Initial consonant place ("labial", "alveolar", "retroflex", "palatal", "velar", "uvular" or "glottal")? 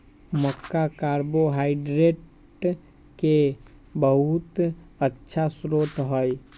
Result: labial